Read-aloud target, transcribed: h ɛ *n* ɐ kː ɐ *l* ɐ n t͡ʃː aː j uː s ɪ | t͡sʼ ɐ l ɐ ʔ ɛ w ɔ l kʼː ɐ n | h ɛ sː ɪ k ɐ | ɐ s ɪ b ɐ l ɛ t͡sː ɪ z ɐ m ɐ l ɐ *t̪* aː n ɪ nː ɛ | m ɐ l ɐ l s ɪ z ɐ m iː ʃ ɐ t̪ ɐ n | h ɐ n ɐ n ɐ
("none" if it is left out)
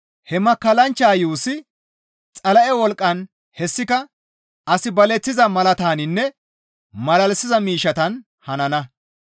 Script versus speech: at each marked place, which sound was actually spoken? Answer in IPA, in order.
m, l, t̪

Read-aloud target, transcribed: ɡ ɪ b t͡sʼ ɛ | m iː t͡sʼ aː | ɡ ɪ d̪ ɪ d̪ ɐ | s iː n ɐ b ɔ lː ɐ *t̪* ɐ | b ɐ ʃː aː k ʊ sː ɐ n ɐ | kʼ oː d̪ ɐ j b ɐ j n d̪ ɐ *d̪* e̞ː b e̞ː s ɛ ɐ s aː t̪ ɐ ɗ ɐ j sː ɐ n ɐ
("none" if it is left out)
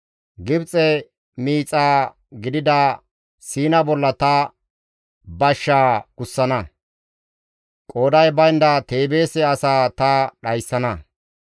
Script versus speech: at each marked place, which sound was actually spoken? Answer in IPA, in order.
t̪, t̪

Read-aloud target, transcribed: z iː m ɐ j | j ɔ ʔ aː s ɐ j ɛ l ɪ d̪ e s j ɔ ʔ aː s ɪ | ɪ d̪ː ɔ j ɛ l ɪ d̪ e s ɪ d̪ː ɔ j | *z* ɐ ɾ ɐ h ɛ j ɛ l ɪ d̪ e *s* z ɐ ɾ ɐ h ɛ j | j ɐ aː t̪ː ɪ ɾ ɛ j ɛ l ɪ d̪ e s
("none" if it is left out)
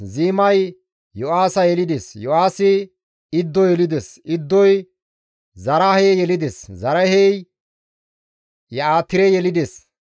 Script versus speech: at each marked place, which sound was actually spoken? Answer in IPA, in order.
z, s

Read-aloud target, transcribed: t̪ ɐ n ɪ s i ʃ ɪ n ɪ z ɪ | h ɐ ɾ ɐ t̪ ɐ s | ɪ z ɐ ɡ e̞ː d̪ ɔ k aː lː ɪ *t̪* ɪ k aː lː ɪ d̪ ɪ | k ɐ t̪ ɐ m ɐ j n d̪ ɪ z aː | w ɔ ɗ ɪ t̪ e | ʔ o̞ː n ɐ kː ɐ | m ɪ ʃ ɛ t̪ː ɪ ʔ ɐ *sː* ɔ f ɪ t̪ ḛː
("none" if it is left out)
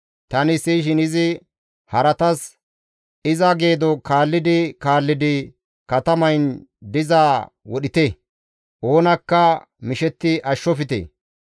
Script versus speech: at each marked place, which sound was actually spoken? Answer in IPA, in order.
d̪, ʃː

